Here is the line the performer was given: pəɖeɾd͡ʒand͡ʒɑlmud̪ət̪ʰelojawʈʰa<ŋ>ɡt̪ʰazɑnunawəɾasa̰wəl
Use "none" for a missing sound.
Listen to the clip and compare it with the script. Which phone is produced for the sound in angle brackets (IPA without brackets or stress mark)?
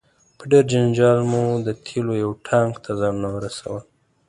ŋ